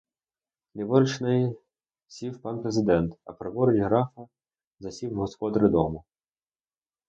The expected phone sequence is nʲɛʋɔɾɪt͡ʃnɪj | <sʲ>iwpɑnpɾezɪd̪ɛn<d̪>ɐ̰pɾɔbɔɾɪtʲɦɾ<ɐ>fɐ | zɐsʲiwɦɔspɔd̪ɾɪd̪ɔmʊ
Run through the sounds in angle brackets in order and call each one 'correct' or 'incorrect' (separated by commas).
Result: correct, incorrect, incorrect